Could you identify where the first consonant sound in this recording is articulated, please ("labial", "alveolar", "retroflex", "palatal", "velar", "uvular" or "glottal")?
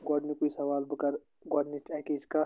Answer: velar